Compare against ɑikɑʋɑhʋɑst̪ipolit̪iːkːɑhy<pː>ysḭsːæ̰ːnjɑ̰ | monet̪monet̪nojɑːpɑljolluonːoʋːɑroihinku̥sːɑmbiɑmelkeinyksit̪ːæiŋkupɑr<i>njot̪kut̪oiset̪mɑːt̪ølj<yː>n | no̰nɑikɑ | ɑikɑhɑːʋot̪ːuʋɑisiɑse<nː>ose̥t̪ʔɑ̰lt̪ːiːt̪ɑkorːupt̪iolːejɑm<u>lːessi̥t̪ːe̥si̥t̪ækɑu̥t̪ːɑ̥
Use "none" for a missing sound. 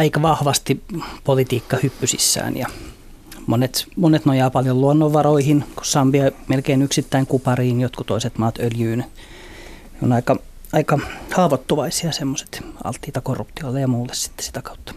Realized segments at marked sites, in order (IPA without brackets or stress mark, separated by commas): pː, iː, yː, mː, uː